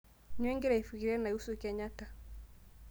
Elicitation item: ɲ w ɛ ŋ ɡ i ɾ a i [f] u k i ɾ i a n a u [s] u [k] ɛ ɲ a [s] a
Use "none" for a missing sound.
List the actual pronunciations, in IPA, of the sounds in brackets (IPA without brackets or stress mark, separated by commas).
f, s, k, t